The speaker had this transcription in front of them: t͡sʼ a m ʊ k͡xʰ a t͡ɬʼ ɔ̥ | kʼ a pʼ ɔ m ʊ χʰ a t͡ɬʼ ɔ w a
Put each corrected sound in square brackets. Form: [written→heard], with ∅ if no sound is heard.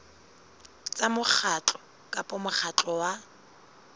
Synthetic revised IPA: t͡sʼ a m ʊ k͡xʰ a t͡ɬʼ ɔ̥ | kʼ a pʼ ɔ m ʊ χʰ a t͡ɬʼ ɔ w a